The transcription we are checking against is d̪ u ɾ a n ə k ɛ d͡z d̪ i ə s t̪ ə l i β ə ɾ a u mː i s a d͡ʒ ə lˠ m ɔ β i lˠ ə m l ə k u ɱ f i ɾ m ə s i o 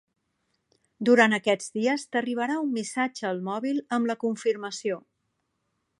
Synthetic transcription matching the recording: d̪ u ɾ a n ə k ɛ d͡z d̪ i ə s t̪ ə r i β ə ɾ a u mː i s a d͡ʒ əː lˠ m ɔ β i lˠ ə m l ə k u ɱ f i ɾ m ə s i o